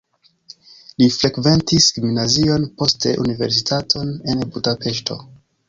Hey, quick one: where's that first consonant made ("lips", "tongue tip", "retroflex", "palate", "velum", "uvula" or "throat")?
tongue tip